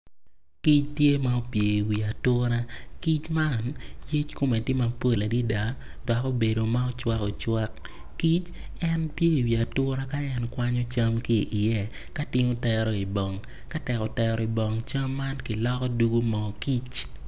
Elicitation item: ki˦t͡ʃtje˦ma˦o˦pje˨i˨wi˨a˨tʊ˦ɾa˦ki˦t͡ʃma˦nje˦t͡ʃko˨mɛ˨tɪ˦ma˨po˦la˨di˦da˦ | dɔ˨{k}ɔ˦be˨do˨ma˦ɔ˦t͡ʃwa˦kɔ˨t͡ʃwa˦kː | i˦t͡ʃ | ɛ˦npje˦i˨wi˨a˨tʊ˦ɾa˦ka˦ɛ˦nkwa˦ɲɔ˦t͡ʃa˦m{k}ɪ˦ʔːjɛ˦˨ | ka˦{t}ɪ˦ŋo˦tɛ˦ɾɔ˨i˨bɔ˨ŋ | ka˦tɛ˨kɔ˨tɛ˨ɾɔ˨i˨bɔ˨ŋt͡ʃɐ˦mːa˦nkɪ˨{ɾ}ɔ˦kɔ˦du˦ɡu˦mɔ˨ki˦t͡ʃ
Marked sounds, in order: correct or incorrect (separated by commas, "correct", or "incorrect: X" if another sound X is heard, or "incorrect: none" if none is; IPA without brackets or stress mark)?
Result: correct, correct, correct, incorrect: l